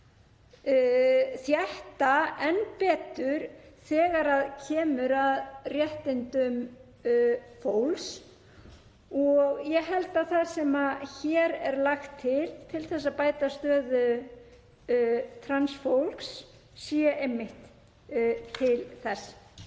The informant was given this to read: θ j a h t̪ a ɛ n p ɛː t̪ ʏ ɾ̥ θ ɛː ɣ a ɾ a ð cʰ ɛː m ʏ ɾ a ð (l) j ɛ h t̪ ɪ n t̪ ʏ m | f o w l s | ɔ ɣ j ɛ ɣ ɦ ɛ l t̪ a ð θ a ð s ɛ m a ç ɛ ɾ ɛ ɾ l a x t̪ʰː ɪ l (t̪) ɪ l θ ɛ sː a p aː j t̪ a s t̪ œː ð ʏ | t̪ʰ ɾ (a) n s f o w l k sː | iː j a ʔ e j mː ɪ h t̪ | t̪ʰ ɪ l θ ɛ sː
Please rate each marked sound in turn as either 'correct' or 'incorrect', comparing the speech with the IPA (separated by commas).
incorrect, incorrect, correct